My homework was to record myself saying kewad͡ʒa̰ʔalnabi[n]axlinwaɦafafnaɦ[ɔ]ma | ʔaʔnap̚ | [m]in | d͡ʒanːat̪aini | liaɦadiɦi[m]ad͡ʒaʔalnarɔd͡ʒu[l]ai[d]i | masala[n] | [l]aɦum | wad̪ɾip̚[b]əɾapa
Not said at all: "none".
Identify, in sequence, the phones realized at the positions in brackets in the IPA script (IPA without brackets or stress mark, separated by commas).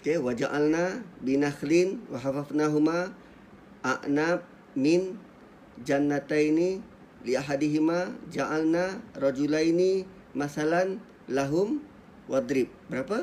n, u, m, m, l, n, n, l, b